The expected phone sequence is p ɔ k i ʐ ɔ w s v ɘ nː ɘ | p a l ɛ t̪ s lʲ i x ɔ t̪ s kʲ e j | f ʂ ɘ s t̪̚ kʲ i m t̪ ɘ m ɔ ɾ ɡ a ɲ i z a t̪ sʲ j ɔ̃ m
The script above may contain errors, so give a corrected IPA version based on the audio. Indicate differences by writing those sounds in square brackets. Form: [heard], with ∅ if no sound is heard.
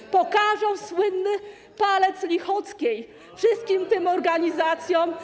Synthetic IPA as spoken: p ɔ k [a] ʐ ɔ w s [w] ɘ nː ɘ | p a l ɛ t̪ s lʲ i x ɔ t̪ s kʲ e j | f ʂ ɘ s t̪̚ kʲ i m t̪ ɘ m ɔ ɾ ɡ a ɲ i z a t̪ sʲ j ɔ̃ m